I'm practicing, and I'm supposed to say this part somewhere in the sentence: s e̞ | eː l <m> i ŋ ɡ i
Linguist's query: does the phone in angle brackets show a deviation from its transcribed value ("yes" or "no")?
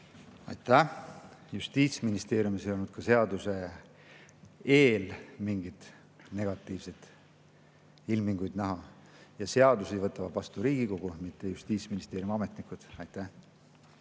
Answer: no